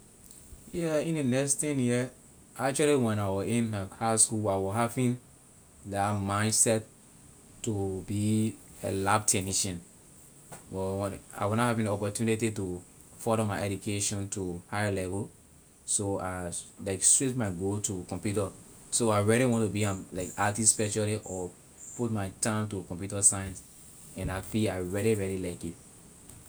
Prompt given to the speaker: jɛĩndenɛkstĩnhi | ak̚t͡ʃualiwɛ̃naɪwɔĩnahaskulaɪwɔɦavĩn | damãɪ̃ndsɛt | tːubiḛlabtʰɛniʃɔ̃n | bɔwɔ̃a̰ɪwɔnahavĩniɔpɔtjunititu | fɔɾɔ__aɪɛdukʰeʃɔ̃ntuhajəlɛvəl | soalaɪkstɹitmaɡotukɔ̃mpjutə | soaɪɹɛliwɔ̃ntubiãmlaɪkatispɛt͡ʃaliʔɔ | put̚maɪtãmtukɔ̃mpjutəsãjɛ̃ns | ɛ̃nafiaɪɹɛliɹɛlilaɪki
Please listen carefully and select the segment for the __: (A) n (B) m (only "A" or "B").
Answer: B